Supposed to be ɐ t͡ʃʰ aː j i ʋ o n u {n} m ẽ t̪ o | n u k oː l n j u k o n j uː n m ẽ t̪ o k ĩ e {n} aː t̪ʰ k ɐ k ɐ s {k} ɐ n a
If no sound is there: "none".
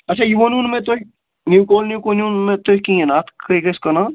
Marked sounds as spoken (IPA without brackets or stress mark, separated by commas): n, n, k